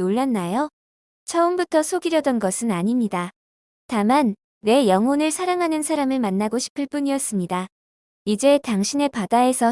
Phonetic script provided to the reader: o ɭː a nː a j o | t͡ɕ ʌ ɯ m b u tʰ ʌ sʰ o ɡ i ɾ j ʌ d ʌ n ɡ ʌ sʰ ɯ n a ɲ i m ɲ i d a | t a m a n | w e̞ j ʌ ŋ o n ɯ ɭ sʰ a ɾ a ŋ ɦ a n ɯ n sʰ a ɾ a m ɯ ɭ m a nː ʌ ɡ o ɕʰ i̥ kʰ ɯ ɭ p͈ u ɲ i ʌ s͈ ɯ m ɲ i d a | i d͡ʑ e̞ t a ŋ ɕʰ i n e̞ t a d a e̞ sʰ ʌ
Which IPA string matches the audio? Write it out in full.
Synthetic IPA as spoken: o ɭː a nː a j o | t͡ɕʰ ʌ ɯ m b u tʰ ʌ sʰ o ɡ i ɾ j ʌ d ʌ n ɡ ʌ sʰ ɯ n a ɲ i m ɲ i d a | t a m a n | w e̞ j ʌ ŋ o n ɯ ɭ sʰ a ɾ a ŋ ɦ a n ɯ n sʰ a ɾ a m ɯ ɭ m a nː a ɡ o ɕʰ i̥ pʰ ɯ ɭ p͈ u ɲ i ʌ s͈ ɯ m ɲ i d a | i d͡ʑ e̞ t a ŋ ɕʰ i n e̞ p a d a e̞ sʰ ʌ

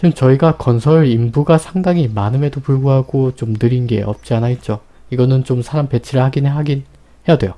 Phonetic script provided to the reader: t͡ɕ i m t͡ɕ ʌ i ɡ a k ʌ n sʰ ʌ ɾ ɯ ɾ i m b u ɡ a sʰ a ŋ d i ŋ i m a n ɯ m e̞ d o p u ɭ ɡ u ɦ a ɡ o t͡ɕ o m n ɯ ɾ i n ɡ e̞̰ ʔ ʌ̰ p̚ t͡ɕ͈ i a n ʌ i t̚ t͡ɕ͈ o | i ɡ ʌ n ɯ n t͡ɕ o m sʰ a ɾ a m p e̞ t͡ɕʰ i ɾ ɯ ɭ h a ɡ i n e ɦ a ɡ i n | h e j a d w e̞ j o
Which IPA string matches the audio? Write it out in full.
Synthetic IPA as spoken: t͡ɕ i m t͡ɕ ʌ i ɡ a k ʌ n sʰ ʌ ɾ ɯ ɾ i m b u ɡ a sʰ a ŋ d a ŋ i m a n ɯ m e̞ d o p u ɭ ɡ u ɦ a ɡ o t͡ɕ o m n ɯ ɾ i n ɡ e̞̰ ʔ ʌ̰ p̚ t͡ɕ͈ i a n a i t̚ t͡ɕ͈ o | i ɡ ʌ n ɯ n t͡ɕ o m sʰ a ɾ a m p e̞ t͡ɕʰ i ɾ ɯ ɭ h a ɡ i n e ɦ a ɡ i n | h e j a d w e̞ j o

